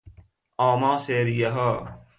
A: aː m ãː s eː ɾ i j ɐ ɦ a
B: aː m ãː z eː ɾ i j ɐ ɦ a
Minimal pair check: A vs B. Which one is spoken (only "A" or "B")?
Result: A